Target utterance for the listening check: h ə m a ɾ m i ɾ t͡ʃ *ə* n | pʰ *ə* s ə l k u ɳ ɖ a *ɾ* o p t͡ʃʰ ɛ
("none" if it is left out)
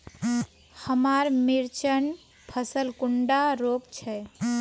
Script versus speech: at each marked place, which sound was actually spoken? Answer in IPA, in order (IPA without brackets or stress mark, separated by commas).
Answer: ə, ə, ɾ